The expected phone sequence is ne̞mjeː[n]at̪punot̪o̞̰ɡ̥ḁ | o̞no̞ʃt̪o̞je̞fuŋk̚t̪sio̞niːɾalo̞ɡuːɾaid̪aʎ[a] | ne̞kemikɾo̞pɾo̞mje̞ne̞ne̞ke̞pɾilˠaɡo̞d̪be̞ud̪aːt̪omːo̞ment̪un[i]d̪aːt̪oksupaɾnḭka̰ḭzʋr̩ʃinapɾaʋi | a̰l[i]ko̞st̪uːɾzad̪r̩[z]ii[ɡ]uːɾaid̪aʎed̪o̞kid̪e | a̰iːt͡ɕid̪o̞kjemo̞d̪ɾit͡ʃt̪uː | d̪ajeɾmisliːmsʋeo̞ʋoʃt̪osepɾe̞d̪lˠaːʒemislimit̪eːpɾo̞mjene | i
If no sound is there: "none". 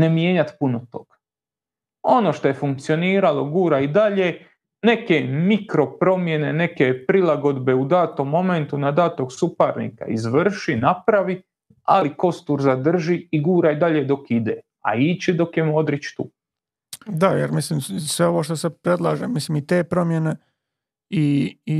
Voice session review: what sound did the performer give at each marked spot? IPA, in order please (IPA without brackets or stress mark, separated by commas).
ɲ, e, a, i, ʒ, ɡ